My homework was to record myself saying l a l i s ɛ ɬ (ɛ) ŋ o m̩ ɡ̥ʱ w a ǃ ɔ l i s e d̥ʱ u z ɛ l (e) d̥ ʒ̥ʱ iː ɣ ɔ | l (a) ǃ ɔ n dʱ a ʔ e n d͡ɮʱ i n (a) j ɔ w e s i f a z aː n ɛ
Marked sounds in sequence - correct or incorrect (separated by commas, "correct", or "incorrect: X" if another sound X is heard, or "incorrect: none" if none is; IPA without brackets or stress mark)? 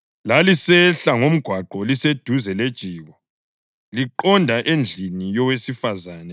incorrect: a, correct, incorrect: i, incorrect: i